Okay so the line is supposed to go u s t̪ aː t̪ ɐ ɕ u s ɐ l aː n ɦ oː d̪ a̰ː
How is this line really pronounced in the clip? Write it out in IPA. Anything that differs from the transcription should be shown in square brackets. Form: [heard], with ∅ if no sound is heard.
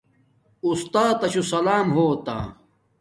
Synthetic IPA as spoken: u s t̪ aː t̪ ɐ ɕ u s ɐ l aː [m] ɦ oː [t̪] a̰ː